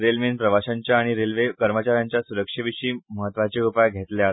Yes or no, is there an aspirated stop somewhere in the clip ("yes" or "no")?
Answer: no